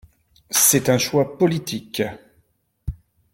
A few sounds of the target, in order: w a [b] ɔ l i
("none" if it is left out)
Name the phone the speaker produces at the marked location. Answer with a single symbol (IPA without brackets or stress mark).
p